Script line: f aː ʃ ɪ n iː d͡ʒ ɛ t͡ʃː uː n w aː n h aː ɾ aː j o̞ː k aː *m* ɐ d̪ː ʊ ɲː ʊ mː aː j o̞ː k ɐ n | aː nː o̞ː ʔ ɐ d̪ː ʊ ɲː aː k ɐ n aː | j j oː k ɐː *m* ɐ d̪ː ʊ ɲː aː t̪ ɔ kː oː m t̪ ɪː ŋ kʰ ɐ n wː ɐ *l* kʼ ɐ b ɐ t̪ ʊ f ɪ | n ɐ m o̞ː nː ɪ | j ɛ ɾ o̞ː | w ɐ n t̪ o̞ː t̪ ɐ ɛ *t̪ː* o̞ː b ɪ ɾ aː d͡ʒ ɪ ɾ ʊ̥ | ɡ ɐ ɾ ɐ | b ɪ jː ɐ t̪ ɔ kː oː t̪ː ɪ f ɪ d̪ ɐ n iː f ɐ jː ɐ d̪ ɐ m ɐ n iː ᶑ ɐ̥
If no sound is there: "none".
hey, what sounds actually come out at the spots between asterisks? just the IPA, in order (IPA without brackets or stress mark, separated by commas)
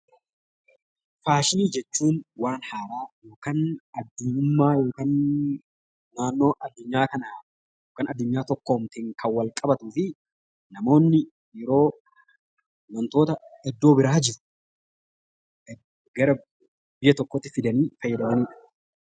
n, n, l, d̪ː